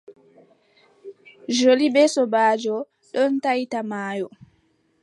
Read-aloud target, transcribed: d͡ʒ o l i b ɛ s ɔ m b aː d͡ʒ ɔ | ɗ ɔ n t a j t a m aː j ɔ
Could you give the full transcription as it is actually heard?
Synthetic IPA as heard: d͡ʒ o l i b ɛ s ɔ b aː d͡ʒ ɔ | ɗ ɔ n t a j t a m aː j ɔ